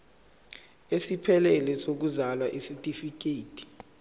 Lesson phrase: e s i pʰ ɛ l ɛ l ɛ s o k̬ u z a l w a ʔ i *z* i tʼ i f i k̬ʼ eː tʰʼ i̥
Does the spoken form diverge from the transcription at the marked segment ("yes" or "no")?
yes